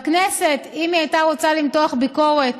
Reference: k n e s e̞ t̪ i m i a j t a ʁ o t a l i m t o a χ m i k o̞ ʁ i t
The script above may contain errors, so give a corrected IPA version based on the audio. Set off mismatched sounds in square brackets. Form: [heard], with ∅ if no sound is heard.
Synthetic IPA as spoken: k n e s e̞ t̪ i m i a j t a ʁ o [t͡s] a l i m t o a χ [b] i k o̞ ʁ [e] t